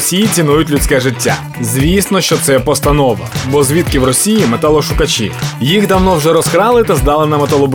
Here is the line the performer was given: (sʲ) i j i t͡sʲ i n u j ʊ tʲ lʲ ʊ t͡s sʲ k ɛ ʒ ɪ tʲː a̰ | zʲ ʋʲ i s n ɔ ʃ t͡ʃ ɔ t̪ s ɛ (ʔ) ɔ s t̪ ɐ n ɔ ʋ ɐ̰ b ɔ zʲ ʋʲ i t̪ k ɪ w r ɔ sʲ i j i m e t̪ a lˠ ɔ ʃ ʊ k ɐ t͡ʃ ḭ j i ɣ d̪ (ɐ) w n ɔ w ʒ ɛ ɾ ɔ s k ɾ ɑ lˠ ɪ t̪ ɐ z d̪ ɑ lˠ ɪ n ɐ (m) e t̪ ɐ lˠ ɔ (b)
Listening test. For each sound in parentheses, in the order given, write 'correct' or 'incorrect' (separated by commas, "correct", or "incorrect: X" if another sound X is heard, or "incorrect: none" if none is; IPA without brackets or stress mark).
correct, incorrect: p, correct, correct, correct